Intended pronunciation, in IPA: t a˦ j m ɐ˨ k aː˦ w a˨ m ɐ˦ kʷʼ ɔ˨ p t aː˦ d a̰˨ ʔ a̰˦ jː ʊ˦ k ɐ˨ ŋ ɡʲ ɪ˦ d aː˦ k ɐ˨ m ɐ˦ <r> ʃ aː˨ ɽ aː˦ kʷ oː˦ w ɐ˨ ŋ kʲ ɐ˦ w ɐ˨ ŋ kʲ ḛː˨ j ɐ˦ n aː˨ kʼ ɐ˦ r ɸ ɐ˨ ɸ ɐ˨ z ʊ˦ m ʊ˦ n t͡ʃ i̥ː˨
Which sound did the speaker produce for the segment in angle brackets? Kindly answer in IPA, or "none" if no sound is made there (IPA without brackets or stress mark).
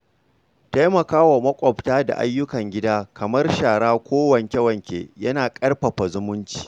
r